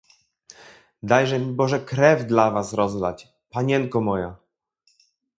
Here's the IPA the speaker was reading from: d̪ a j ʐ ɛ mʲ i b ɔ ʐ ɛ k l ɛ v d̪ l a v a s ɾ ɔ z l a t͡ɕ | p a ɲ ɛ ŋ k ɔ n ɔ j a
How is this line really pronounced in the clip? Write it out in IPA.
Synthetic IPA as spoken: d̪ a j ʐ ɛ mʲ i b ɔ ʐ ɛ k ɾ ɛ v d̪ l a v a s ɾ ɔ z l a t͡ɕ | p a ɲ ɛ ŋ k ɔ m ɔ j a